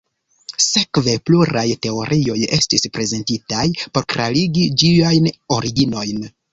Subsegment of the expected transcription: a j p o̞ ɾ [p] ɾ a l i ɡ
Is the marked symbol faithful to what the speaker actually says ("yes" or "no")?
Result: no